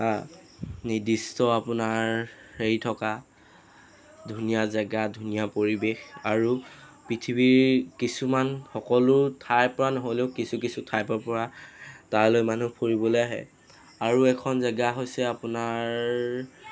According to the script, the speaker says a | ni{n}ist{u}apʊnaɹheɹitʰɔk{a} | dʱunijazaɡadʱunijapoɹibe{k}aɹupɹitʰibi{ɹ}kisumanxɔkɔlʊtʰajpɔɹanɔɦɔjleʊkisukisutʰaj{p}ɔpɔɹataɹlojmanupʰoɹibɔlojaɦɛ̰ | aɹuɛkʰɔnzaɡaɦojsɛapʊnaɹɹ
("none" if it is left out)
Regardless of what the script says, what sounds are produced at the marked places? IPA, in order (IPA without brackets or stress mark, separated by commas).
d, ɔ, a, x, ɹ, p